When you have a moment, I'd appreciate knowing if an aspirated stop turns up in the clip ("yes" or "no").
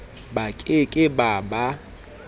no